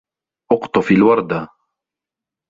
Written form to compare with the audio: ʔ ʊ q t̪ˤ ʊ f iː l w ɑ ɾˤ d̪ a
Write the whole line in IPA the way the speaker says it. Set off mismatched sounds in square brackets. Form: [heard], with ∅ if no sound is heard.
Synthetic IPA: ʔ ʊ q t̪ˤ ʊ f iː l w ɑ ɾˤ d̪ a